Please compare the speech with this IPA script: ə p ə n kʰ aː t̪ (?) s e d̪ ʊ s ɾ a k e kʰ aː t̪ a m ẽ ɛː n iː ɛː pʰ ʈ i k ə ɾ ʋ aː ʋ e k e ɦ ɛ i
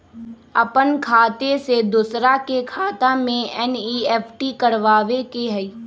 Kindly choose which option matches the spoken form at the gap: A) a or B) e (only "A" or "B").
B